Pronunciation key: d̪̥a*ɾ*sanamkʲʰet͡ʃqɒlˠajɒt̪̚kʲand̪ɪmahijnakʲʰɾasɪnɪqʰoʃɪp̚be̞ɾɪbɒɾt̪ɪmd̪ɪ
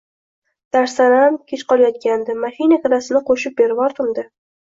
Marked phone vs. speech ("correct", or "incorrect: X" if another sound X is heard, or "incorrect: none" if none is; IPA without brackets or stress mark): correct